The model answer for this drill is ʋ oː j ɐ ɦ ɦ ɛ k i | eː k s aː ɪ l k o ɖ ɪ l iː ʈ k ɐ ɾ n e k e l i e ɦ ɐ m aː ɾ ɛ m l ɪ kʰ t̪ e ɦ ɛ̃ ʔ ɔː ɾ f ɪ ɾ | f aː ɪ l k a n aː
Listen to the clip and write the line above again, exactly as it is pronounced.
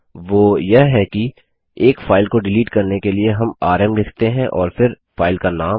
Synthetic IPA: ʋ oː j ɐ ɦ ɦ ɛ k i | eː k f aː ɪ l k o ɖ ɪ l iː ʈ k ɐ ɾ n e k e l i e ɦ ɐ m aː ɾ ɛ m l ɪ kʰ t̪ e ɦ ɛ̃ ʔ ɔː ɾ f ɪ ɾ | f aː ɪ l k a n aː